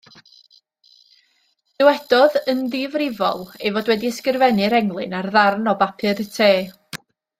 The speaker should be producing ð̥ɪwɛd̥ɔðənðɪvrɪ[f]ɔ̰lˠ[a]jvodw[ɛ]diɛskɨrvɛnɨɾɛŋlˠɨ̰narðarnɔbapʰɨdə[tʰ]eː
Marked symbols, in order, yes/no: no, no, yes, yes

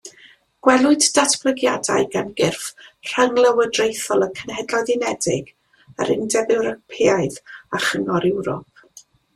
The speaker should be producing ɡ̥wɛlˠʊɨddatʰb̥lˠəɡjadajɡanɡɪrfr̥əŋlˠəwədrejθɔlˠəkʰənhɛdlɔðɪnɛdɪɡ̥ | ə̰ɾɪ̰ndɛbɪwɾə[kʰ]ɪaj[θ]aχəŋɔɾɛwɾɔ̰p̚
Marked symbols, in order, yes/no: no, no

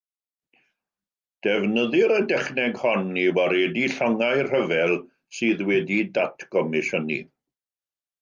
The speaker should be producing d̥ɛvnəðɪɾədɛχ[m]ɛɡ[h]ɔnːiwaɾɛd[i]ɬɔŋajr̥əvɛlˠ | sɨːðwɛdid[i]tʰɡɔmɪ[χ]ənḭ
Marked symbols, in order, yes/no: no, yes, yes, no, no

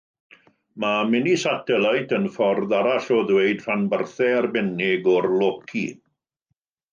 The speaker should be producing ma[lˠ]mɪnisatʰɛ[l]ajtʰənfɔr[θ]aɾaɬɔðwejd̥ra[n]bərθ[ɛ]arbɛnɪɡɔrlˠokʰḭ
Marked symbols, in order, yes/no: no, yes, no, yes, yes

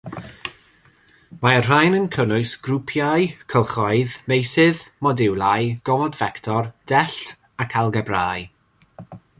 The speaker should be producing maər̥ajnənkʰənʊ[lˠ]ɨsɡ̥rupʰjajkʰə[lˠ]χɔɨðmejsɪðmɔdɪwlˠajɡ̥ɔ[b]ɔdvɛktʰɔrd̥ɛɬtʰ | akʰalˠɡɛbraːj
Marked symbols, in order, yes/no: no, yes, no

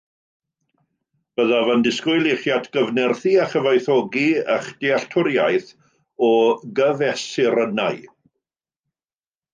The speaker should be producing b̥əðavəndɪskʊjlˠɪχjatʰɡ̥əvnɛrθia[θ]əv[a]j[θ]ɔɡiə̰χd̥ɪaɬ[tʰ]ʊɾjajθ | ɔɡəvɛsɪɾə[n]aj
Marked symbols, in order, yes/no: no, yes, yes, yes, yes

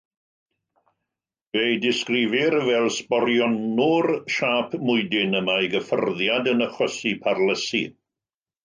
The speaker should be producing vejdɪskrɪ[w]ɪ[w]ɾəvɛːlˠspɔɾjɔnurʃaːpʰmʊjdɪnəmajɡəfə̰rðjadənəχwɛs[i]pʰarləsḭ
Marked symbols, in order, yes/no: no, no, yes

